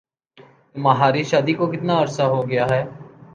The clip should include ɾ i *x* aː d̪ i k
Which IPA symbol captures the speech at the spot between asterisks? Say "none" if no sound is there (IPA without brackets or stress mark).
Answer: ʃ